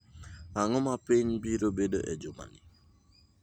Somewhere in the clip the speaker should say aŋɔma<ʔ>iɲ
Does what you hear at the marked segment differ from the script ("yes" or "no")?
yes